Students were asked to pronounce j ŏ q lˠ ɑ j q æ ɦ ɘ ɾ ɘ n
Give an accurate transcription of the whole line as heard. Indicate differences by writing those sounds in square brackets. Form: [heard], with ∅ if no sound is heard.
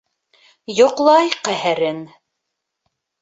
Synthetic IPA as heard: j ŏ q lˠ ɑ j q æ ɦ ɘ ɾ ɘ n